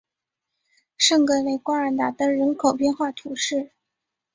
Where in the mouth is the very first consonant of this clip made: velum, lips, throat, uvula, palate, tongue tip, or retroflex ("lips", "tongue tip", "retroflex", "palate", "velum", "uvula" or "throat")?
retroflex